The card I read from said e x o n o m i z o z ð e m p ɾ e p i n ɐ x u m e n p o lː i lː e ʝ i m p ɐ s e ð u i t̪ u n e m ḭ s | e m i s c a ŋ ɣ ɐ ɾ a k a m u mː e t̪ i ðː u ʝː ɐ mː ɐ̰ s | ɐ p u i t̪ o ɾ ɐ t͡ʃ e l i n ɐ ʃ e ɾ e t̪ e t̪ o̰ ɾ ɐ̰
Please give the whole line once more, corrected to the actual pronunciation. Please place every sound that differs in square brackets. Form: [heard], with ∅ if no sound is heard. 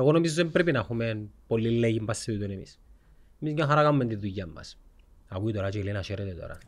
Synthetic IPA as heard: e [ɣ] o n o m i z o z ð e m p ɾ e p i n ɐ x u m e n p o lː i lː e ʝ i m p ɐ s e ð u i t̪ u n e m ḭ s | e m i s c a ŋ [x] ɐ ɾ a k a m u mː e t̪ i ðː u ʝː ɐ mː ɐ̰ s | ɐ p u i t̪ o ɾ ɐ t͡ʃ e l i n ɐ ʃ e ɾ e t̪ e t̪ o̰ ɾ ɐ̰